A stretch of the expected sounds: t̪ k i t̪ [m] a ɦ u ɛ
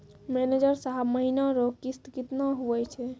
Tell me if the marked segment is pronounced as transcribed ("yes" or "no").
no